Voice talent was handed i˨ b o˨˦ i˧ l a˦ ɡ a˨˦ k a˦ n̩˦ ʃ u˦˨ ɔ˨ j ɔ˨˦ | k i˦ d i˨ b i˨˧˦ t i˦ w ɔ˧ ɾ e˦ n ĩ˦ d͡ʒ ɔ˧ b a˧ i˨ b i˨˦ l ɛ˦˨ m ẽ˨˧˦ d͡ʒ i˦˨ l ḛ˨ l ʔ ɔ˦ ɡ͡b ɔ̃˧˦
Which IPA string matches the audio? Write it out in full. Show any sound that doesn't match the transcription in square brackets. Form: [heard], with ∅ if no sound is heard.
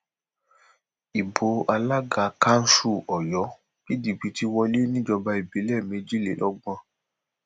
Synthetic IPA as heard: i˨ b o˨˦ [a˧] l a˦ ɡ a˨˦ k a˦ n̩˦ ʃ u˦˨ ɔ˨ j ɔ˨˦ | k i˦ d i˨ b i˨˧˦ t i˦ w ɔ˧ [l] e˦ n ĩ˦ d͡ʒ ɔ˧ b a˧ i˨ b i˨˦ l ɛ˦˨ m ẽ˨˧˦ d͡ʒ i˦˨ l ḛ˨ l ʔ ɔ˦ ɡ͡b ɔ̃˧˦